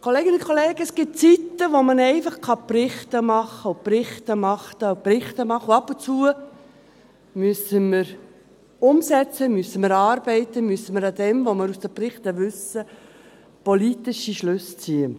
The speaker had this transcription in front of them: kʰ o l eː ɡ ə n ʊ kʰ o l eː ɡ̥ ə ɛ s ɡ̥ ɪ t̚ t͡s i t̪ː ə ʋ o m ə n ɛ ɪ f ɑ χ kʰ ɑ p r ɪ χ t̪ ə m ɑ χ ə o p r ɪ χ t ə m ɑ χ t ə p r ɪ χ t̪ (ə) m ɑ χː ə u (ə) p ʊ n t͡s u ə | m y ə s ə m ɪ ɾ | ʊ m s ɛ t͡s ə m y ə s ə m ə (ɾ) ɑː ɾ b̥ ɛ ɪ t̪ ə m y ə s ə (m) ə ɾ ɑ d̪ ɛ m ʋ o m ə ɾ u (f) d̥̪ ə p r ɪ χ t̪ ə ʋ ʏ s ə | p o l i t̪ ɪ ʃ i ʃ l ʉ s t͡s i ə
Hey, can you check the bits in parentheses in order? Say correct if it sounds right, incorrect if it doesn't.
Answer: correct, incorrect: ɑ, correct, correct, incorrect: s

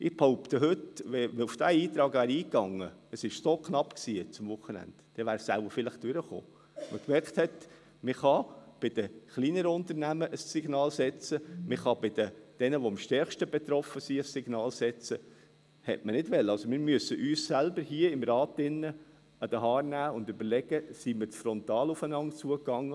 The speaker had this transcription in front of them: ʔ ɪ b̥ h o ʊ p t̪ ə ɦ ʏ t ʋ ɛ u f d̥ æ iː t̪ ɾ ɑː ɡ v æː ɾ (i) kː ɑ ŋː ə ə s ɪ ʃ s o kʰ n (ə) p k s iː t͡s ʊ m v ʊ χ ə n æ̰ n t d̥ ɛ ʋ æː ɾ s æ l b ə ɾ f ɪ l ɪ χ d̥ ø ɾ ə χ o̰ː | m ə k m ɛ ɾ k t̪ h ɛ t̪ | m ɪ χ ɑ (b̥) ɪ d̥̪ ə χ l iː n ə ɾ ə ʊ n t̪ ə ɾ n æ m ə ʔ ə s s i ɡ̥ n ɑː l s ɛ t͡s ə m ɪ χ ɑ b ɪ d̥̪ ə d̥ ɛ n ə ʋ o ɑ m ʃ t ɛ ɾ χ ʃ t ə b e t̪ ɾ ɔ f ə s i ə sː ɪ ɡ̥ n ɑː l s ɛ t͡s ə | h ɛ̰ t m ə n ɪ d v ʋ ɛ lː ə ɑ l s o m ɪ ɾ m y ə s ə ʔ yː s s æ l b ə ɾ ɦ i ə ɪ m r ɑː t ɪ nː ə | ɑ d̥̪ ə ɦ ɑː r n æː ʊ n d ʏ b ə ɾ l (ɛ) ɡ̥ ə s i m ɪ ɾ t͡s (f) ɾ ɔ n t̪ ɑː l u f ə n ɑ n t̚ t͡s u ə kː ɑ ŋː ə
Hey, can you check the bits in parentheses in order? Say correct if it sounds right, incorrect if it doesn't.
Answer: incorrect: iː, incorrect: ɑ, correct, correct, correct

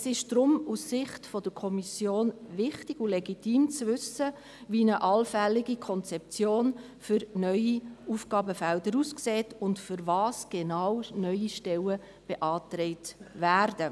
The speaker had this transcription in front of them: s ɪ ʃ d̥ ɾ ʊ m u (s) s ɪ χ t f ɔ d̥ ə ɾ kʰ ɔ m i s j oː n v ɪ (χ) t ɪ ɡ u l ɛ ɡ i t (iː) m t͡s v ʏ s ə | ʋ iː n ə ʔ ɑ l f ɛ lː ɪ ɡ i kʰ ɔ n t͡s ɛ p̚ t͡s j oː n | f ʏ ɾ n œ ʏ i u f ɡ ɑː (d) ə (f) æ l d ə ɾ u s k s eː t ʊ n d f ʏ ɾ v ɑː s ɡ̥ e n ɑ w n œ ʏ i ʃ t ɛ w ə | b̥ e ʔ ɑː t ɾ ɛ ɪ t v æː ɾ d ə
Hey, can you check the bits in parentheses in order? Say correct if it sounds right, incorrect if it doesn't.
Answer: correct, correct, correct, incorrect: b, correct

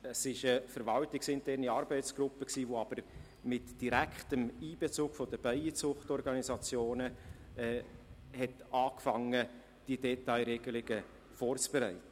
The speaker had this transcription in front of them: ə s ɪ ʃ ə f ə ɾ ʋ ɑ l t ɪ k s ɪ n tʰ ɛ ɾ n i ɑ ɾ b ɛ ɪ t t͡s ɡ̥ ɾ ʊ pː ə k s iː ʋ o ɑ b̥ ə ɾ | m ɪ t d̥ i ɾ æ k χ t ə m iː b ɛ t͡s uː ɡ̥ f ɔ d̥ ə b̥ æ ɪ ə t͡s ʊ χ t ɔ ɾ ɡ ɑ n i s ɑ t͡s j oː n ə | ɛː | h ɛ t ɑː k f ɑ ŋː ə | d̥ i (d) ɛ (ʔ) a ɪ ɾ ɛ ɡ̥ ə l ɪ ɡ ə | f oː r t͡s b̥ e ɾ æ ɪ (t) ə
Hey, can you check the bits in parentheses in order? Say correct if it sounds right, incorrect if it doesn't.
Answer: correct, incorrect: t, correct

